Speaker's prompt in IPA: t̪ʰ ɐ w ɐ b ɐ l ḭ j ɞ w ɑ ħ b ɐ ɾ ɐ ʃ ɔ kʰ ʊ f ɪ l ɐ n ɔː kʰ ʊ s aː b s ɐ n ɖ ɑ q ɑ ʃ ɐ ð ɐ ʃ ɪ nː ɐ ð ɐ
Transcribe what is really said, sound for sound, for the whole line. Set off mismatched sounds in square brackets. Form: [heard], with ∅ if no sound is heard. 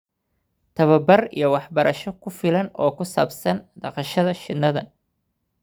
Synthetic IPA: t̪ʰ ɐ [β] ɐ b ɐ [r] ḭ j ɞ w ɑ ħ b ɐ ɾ ɐ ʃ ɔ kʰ ʊ f ɪ l ɐ n ɔː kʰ ʊ s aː b s ɐ n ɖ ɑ q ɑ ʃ ɐ ð ɐ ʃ ɪ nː ɐ ð ɐ